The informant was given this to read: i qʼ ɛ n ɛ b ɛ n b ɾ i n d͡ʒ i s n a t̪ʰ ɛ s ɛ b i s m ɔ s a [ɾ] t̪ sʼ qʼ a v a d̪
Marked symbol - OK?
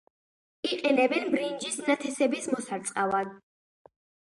yes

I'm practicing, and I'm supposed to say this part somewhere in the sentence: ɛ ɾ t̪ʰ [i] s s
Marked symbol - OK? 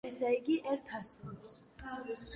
no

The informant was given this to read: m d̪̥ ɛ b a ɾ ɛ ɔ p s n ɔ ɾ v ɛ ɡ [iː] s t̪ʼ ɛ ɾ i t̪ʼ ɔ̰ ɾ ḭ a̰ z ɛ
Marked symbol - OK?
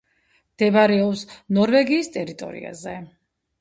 yes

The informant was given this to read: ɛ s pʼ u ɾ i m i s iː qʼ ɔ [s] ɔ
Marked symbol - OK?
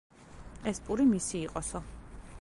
yes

